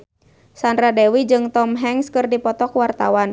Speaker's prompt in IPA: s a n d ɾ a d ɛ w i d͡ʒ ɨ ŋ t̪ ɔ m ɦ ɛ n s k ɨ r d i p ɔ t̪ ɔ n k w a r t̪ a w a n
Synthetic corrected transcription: s a n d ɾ a d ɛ w i d͡ʒ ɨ ŋ t̪ ɔ m ɦ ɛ ŋ s k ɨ r d i p ɔ t̪ ɔ k w a r t̪ a w a n